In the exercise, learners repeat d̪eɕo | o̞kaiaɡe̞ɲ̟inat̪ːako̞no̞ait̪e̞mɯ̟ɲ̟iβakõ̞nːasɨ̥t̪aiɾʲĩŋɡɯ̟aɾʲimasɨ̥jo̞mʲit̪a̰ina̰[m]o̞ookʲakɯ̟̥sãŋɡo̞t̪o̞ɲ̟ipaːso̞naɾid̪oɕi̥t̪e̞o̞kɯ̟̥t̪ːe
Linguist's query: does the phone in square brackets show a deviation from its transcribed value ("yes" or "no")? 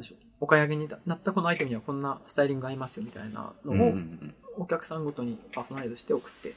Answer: yes